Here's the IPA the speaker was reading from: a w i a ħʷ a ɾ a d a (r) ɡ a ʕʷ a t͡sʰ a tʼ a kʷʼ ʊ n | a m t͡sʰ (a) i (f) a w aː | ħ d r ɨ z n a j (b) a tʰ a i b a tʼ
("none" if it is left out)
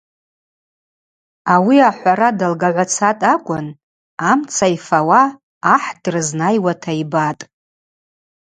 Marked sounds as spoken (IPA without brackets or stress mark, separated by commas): l, a, f, w